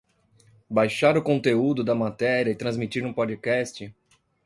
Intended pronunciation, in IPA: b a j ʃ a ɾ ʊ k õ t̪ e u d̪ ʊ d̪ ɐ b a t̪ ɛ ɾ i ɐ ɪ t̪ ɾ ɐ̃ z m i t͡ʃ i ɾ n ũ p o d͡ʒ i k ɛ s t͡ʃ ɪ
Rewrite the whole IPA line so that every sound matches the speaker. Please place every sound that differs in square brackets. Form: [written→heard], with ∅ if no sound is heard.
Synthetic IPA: b a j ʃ a ɾ ʊ k õ t̪ e u d̪ ʊ d̪ ɐ [b→m] a t̪ ɛ ɾ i ɐ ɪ t̪ ɾ ɐ̃ z m i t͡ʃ i ɾ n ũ p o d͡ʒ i k ɛ s t͡ʃ ɪ